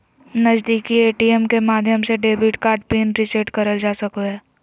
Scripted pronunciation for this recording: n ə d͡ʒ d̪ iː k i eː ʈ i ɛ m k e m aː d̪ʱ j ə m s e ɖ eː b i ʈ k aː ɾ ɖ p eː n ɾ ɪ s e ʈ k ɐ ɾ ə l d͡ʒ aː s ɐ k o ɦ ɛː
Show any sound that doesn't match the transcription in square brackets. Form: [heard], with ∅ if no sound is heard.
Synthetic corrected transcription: n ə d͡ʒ d̪ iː k i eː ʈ i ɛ m k e m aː d̪ʱ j ə m s e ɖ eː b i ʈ k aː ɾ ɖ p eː n ɾ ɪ s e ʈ k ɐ ɾ ə l d͡ʒ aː s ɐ k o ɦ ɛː